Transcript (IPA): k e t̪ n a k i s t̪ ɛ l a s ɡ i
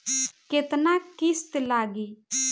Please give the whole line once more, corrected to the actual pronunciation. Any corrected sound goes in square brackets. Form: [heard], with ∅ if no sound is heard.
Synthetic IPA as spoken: k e t̪ n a k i s t̪ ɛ l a [∅] ɡ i